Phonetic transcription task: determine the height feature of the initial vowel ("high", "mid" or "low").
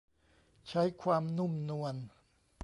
low